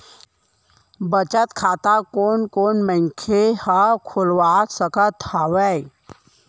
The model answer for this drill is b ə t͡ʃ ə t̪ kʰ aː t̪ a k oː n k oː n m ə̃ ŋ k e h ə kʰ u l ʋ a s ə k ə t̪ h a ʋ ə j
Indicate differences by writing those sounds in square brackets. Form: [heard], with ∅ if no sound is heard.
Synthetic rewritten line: b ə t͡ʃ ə t̪ kʰ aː t̪ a k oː n k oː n m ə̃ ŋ [kʰ] e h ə kʰ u l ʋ a s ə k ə t̪ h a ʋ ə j